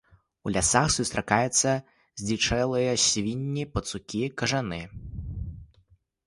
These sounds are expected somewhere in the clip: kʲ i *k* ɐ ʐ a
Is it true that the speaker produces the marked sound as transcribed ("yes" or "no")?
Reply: yes